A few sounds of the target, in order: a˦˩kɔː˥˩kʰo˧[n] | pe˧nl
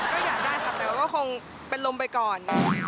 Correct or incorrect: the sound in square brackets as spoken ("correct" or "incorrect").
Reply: incorrect